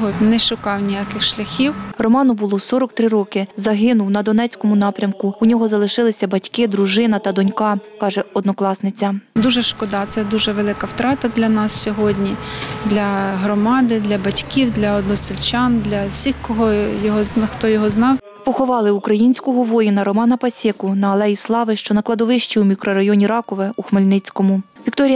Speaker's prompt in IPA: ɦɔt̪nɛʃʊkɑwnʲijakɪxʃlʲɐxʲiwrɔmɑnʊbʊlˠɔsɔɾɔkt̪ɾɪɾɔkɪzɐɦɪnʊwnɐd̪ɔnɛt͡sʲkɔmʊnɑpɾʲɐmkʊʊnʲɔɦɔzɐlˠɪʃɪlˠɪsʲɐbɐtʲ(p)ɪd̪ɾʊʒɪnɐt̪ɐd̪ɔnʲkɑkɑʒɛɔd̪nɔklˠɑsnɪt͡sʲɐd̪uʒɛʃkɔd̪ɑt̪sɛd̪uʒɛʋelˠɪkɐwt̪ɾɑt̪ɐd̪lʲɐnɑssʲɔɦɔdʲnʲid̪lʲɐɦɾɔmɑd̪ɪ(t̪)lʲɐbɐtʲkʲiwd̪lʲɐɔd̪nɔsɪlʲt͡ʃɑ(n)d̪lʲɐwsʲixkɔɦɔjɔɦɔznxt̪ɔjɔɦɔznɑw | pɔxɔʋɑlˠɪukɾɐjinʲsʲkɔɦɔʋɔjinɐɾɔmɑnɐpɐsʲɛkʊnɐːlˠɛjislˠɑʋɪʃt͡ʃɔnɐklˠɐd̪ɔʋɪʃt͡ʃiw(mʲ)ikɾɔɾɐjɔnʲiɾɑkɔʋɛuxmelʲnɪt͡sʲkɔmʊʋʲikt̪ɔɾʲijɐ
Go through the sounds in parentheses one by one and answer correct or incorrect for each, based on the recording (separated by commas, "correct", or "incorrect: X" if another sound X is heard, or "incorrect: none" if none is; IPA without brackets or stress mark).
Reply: incorrect: k, incorrect: d̪, correct, correct